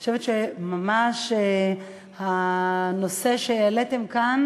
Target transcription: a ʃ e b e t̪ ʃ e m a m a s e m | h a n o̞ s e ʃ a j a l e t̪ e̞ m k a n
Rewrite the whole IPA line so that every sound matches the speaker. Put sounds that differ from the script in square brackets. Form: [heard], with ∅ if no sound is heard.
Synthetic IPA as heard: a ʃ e [v] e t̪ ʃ e m a m a [ʃ] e [∅] | h a n o̞ s e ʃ [e] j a l e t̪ e̞ m k a n